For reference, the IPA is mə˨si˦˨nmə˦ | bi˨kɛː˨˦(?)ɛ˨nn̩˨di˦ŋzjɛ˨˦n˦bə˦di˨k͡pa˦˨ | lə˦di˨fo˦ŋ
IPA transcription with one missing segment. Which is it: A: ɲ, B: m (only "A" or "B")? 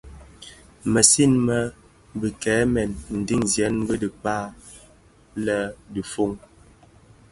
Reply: B